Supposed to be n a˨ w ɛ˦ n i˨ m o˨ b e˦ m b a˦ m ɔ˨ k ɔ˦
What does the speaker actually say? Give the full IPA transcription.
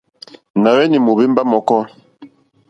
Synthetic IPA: n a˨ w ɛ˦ n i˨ m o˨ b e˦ m b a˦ m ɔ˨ k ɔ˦